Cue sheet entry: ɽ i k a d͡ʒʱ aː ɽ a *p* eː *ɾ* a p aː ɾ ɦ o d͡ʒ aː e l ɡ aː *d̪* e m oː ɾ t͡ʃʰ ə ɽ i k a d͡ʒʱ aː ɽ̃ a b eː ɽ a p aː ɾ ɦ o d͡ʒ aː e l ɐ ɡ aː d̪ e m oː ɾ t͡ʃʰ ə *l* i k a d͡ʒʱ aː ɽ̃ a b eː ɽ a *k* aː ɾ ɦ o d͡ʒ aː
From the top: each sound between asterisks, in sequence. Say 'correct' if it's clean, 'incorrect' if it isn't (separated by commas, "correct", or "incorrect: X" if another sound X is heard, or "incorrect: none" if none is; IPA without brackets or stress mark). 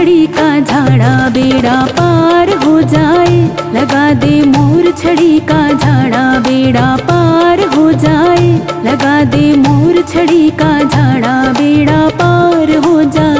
incorrect: b, incorrect: ɽ, correct, incorrect: ɽ, incorrect: p